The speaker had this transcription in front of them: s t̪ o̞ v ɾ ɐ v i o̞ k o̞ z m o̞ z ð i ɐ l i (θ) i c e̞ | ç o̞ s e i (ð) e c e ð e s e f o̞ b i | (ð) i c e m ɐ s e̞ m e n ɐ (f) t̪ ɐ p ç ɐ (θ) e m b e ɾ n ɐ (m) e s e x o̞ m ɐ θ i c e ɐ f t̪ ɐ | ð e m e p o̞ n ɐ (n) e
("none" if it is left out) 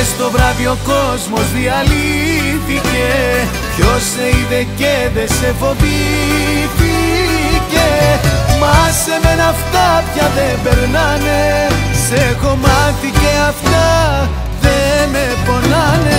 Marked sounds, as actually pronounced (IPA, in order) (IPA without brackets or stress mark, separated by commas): θ, ð, θ, f, ð, n, n